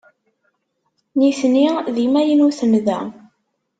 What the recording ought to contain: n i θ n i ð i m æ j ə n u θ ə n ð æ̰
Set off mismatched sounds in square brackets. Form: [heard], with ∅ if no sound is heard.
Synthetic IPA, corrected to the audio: n i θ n i ð i m æ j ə n u θ ə n ð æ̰